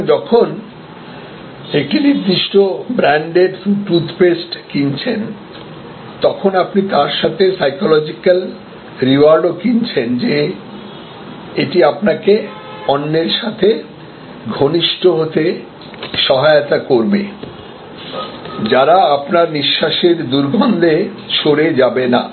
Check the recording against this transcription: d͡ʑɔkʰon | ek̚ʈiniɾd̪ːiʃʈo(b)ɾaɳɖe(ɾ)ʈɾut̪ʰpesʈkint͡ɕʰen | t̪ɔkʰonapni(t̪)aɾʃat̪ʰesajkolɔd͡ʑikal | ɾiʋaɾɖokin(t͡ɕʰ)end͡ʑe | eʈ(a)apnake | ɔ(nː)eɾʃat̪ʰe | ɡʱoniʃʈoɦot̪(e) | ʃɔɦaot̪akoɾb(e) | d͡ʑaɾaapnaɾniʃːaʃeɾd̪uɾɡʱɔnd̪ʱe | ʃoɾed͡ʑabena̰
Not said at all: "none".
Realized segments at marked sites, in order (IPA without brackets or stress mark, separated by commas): b, ɾ, t̪, t͡ɕʰ, i, nː, e, e